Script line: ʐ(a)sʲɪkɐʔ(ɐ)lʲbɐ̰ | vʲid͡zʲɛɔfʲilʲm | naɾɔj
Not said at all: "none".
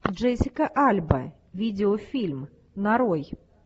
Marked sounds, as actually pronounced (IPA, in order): ɛ, a

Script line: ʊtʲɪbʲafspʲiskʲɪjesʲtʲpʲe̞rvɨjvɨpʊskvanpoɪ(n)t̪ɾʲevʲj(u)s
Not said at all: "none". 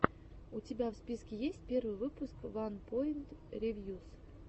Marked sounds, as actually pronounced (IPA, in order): n, u

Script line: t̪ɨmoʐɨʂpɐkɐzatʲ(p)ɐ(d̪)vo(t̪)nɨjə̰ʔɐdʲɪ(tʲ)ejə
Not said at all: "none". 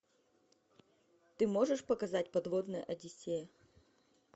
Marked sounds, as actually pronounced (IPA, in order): p, d̪, d̪, sʲ

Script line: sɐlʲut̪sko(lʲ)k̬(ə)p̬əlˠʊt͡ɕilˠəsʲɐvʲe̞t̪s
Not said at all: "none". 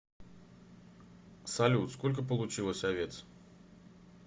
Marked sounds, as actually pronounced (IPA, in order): lʲ, ə

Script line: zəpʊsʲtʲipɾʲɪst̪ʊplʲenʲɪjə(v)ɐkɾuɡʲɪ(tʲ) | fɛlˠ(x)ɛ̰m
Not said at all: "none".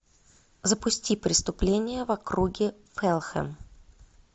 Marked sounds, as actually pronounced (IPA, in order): v, none, x

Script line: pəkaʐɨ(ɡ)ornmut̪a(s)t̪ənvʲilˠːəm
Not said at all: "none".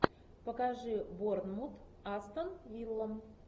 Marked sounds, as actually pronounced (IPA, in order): b, s

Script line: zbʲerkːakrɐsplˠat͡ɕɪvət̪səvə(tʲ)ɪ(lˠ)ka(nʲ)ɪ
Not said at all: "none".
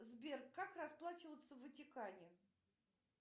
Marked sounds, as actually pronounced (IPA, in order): tʲ, none, nʲ

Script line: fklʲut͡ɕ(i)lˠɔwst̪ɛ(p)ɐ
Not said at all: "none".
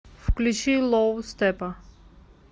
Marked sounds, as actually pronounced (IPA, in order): i, p

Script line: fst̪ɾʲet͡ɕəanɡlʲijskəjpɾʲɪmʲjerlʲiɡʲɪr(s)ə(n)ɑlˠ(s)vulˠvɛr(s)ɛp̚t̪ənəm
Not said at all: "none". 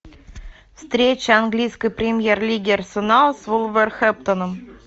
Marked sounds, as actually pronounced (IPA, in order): s, n, s, x

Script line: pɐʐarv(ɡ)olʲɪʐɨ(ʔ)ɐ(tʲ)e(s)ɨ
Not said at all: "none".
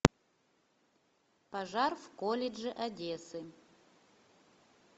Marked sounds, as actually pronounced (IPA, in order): k, ʔ, dʲ, s

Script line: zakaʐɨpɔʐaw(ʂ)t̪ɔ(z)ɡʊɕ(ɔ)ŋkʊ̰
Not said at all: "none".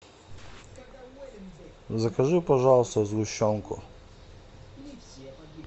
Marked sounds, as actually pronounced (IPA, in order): s, z, ɔ

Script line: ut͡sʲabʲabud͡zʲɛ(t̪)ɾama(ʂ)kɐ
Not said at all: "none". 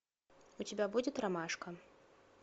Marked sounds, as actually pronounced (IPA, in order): t̪, ʂ

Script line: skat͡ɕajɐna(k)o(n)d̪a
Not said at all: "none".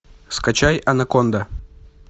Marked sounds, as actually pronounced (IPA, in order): k, n

